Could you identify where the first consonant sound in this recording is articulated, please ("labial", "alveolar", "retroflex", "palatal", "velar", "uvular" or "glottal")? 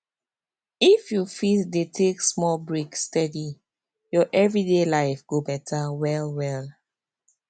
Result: labial